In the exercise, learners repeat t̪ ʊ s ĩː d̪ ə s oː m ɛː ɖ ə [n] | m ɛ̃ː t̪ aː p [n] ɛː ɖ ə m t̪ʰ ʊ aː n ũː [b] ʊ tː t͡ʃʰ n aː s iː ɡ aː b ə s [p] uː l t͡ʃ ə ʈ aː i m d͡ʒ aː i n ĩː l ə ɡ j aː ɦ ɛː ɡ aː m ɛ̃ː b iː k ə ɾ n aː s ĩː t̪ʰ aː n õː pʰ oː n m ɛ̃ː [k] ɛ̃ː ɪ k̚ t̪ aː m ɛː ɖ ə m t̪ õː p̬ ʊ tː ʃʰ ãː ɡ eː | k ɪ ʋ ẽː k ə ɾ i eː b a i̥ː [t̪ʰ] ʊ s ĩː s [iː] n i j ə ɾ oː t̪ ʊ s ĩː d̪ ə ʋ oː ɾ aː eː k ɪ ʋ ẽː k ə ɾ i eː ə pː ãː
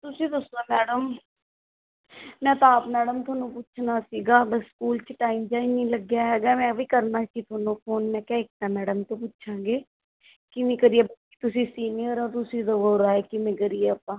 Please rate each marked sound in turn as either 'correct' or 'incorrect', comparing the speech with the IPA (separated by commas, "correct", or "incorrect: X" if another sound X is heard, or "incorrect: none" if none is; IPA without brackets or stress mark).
incorrect: m, incorrect: m, incorrect: p, incorrect: k, correct, incorrect: t̪, correct